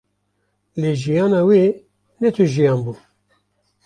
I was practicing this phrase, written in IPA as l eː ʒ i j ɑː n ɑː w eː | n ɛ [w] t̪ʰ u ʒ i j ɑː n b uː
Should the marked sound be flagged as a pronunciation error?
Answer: yes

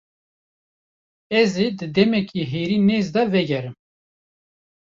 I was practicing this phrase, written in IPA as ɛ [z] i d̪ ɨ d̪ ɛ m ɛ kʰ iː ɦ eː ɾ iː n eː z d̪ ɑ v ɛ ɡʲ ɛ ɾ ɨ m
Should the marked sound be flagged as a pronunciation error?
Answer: no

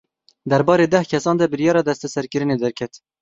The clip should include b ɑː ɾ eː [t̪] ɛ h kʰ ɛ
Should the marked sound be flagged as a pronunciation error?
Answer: yes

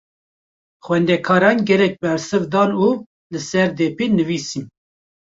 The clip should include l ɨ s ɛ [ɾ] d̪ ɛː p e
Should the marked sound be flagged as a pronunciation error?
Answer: no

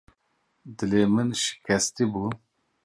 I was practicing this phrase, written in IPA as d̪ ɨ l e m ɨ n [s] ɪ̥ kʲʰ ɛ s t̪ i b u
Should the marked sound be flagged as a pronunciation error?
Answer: yes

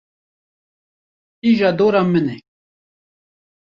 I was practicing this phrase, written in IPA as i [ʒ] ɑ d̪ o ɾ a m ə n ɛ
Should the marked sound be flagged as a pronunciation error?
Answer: no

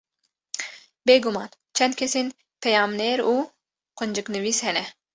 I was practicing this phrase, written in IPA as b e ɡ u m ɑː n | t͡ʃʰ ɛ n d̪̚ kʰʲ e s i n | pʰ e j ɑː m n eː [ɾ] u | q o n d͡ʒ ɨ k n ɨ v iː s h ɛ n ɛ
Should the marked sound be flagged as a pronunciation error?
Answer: no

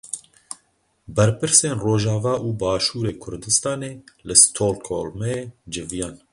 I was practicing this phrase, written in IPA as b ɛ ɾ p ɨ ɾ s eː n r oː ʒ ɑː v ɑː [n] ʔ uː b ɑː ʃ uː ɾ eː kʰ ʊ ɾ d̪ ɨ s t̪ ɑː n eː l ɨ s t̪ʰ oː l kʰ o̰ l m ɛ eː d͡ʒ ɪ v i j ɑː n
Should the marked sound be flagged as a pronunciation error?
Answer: yes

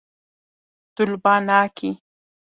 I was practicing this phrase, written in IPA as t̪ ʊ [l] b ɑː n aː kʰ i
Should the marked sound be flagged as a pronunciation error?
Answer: no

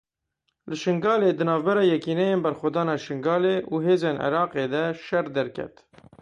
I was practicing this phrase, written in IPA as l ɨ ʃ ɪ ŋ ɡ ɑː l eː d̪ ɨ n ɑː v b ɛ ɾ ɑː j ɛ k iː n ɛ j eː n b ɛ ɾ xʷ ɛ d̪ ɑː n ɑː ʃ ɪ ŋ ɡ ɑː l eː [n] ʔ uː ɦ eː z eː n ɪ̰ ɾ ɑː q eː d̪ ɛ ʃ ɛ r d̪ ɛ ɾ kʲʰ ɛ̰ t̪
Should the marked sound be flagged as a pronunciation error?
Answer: yes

